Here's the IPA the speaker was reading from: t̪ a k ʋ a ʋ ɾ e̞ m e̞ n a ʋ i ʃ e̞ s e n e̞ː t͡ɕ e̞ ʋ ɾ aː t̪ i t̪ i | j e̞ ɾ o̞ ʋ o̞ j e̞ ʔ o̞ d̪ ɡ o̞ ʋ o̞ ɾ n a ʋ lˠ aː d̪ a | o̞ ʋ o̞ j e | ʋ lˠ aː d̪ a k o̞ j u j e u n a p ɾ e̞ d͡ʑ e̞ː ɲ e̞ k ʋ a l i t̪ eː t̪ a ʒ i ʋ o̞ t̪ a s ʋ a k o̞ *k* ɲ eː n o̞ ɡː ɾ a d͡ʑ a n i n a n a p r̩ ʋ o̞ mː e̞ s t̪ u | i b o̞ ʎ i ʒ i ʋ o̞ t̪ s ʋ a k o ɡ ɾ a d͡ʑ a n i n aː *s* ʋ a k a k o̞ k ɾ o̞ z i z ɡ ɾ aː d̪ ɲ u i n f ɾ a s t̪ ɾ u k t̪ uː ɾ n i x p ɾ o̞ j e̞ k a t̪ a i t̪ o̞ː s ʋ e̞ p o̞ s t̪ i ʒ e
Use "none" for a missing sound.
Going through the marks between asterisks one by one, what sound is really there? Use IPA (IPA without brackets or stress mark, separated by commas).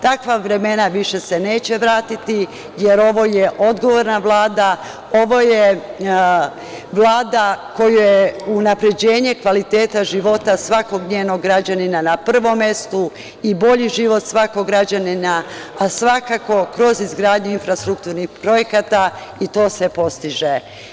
ɡ, s